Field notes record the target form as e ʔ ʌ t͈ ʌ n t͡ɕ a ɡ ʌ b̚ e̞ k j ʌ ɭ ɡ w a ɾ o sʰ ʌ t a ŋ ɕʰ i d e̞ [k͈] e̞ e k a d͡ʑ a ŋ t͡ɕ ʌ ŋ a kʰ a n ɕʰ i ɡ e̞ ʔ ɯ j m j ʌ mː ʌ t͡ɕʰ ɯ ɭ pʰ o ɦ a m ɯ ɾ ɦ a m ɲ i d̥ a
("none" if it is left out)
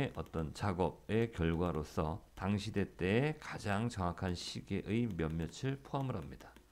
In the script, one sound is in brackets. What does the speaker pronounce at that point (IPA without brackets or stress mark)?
t͈